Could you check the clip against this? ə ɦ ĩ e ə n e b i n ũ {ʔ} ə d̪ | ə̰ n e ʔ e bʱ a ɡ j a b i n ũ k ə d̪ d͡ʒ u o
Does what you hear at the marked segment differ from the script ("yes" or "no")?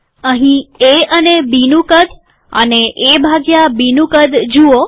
yes